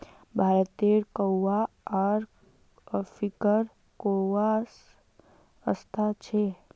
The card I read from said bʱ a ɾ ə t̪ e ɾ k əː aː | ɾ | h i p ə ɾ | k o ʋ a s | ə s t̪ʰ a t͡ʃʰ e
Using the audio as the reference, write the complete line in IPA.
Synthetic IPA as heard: bʱ a ɾ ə t̪ e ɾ k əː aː | ɾ | f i k ə ɾ | k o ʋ a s | ə s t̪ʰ a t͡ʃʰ e